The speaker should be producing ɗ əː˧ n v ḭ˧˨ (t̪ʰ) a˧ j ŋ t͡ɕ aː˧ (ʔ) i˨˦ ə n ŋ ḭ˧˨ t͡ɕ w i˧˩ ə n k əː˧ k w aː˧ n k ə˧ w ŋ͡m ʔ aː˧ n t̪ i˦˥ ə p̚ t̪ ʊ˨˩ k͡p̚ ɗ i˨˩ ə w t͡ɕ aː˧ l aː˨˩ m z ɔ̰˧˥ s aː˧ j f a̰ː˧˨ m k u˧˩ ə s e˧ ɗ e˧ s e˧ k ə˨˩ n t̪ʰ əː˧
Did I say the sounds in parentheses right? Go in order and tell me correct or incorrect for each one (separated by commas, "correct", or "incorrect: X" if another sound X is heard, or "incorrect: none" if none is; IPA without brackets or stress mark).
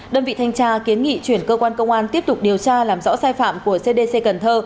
correct, incorrect: k